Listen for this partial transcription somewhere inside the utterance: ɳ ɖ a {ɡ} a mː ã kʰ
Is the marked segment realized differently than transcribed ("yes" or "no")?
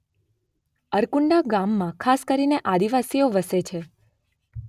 no